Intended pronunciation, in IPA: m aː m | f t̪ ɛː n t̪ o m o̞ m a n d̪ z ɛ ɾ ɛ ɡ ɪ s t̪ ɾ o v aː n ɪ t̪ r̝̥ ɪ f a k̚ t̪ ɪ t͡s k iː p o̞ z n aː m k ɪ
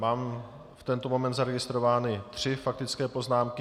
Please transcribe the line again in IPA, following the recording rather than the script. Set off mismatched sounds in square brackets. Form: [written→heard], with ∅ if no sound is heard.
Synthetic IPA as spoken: m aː m | f t̪ [ɛː→ɛ] n t̪ o m o̞ m [a→ɛ] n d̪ z [ɛ→a] ɾ ɛ ɡ ɪ s t̪ ɾ o v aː n ɪ t̪ r̝̥ ɪ f a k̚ t̪ ɪ t͡s k [iː→ɛː] p o̞ z n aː m k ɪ

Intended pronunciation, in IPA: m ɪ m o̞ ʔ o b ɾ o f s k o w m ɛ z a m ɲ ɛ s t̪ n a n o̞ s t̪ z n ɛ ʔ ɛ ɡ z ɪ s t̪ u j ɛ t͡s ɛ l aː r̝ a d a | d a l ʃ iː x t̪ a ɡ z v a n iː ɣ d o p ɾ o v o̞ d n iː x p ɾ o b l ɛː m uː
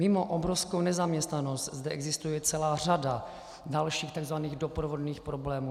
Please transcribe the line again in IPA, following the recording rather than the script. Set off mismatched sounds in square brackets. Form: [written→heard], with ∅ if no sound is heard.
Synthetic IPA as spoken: m ɪ m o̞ ʔ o b ɾ o f s k o w [m→n] ɛ z a m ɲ ɛ s t̪ n a n o̞ s t̪ z [n→d] ɛ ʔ ɛ ɡ z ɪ s t̪ u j ɛ t͡s ɛ l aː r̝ a d a | d a l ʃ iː x t̪ a ɡ z v a n iː ɣ d o p ɾ o v o̞ d n iː x p ɾ o b l ɛː m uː

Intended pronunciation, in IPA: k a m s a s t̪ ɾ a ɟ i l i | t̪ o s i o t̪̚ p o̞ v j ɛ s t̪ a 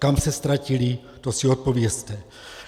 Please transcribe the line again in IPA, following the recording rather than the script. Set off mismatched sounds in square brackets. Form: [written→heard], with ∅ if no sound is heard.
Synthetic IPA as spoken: k a m s [a→ɛ] s t̪ ɾ a [ɟ→c] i l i | t̪ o s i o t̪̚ p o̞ v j ɛ s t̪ [a→ɛ]

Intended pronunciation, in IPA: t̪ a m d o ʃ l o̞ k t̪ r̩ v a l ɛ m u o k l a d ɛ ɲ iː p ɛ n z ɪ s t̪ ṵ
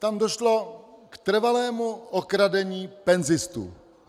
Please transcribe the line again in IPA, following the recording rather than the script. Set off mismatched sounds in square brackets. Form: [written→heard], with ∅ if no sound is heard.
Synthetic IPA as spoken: t̪ a m d o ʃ l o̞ k t̪ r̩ v a l [ɛ→ɛː] m u o k [l→ɾ] a d ɛ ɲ iː p ɛ n z ɪ s t̪ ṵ

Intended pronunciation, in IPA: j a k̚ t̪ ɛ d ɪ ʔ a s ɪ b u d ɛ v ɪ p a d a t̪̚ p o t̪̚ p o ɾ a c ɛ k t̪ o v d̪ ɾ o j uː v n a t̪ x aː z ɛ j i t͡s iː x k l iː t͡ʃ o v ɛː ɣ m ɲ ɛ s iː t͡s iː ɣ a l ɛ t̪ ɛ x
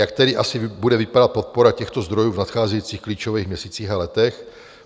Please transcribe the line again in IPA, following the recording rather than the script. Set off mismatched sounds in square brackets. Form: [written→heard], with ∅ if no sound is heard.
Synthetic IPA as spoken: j a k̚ t̪ ɛ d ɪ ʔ a s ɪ b u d ɛ v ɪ p a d a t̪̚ p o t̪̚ p o ɾ a c ɛ [k→x] t̪ o [v→z] d̪ ɾ o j uː v n a t̪ x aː z ɛ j i t͡s iː x k l iː t͡ʃ o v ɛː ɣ m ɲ ɛ s iː t͡s iː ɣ a l ɛ t̪ ɛ x

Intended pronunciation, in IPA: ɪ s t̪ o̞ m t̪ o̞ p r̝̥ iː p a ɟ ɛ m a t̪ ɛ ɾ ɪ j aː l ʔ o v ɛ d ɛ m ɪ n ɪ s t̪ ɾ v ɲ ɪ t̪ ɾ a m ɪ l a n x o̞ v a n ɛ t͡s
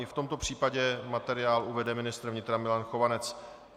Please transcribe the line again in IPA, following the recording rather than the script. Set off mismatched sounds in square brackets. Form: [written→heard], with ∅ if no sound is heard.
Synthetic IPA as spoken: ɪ [s→f] t̪ o̞ m t̪ o̞ p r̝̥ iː p a ɟ ɛ m a t̪ ɛ ɾ ɪ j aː l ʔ [o→u] v ɛ d ɛ m ɪ n ɪ s t̪ ɾ v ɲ ɪ t̪ ɾ a m ɪ l a n x o̞ v a n ɛ t͡s

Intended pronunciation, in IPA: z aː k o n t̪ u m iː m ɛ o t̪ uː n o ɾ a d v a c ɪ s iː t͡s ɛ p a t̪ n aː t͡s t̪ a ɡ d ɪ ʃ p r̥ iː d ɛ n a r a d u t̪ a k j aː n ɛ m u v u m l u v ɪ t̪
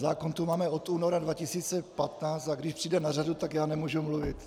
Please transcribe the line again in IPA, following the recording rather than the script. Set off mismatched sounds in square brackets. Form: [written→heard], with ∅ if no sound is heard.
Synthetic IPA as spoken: z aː k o n t̪ u m [iː→aː] m ɛ o t̪ uː n o ɾ a d v a c ɪ s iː t͡s ɛ p a t̪ n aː t͡s t̪ a ɡ d ɪ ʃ p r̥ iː d ɛ n a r a d u t̪ a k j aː n ɛ m u [v→ʒ] u m l u v ɪ t̪

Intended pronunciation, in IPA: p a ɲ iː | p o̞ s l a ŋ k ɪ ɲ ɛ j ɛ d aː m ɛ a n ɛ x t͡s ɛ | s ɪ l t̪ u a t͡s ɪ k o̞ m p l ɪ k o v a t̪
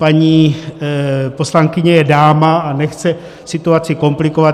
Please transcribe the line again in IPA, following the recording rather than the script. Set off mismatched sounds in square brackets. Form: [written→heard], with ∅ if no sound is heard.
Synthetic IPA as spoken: p a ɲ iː | p o̞ s l a ŋ k ɪ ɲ ɛ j ɛ d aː m [ɛ→a] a n ɛ x t͡s ɛ | s ɪ [l→∅] t̪ u a t͡s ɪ k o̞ m p l ɪ k o v a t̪

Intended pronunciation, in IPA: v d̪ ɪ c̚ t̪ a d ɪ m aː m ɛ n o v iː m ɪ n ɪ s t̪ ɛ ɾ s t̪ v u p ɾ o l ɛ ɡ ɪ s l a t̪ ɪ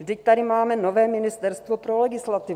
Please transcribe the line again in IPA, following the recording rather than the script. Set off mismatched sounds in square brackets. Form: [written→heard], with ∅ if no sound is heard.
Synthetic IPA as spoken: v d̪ ɪ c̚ t̪ a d ɪ m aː m ɛ n o v [iː→ɛː] m ɪ n ɪ s t̪ ɛ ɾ s t̪ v [u→o] p ɾ o l ɛ ɡ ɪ s l a t̪ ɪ

